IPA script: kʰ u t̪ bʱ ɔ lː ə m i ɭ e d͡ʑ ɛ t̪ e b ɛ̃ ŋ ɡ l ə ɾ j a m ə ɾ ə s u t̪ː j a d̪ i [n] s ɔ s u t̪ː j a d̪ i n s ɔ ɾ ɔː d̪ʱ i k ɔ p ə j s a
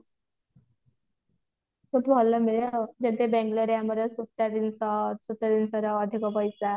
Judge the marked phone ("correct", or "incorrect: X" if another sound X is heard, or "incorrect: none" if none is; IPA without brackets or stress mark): correct